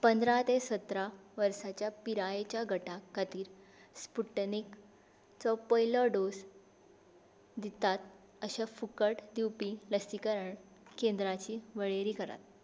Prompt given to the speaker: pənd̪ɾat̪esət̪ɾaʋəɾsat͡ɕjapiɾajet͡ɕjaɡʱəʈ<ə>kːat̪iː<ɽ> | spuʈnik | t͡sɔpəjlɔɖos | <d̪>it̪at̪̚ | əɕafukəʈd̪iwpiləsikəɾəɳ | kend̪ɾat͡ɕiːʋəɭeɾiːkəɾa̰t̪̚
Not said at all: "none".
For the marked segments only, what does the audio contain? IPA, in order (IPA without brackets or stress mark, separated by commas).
a, ɾ, d̪